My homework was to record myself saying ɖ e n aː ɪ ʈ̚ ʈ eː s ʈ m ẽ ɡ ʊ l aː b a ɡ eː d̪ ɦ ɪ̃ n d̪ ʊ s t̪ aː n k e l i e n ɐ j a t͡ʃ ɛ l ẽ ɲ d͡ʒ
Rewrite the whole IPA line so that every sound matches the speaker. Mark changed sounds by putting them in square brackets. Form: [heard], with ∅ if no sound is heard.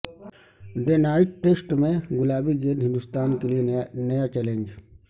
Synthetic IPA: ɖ e n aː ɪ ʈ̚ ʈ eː s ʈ m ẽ ɡ ʊ l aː b [i] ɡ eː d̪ ɦ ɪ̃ n d̪ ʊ s t̪ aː n k e l i e n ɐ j a t͡ʃ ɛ l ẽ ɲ d͡ʒ